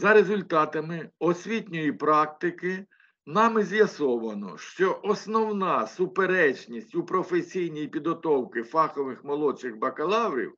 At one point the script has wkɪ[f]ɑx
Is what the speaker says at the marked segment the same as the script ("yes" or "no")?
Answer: yes